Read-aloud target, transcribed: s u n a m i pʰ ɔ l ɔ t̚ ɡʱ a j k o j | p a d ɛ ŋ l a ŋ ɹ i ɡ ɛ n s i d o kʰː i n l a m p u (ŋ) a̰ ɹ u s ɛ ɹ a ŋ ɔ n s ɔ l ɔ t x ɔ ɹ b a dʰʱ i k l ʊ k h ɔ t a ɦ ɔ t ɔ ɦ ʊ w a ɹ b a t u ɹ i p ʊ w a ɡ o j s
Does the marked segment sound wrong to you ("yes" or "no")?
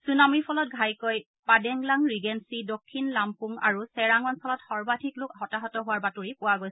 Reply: no